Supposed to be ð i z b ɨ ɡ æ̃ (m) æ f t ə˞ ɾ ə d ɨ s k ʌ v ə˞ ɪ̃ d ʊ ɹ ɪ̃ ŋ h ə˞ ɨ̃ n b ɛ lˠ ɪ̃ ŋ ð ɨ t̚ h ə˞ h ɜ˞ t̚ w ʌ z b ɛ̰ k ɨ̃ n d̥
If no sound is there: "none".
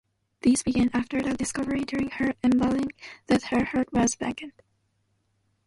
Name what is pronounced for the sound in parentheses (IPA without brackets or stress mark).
n